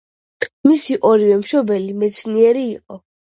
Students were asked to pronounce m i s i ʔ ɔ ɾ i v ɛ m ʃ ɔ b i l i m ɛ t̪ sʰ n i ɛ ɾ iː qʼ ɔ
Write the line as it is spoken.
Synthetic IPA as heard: m i s i ʔ ɔ ɾ i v ɛ m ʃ ɔ b ɛ l i m ɛ t̪ sʰ n i ɛ ɾ iː qʼ ɔ